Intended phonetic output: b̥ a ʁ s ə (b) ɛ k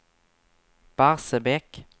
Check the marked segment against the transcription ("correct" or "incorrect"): correct